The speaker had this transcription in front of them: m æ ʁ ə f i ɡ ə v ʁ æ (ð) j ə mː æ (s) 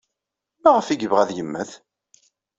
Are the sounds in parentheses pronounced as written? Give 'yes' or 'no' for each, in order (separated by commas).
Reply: yes, no